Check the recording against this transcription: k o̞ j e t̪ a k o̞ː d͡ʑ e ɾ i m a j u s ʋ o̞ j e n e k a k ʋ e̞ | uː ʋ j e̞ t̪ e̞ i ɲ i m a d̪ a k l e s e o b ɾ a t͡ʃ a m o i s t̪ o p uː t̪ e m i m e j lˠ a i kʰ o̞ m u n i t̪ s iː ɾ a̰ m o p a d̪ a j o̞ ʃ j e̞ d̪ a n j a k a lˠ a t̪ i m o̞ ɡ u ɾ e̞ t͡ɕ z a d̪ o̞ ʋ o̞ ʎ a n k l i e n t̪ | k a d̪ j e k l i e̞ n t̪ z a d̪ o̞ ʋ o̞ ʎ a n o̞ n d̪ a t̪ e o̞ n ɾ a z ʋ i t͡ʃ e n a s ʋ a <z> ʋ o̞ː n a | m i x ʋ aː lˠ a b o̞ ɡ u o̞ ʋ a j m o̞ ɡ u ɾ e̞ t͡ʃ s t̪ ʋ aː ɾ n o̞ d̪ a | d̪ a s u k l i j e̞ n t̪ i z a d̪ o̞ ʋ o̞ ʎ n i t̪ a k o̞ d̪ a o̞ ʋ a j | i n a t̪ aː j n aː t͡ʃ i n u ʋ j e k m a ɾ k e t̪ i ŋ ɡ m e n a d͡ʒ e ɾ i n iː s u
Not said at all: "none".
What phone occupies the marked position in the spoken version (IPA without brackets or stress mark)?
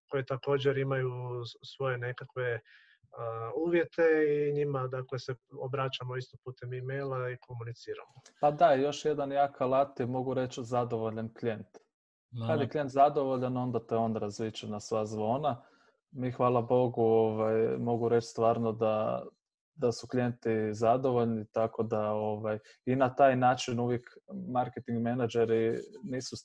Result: z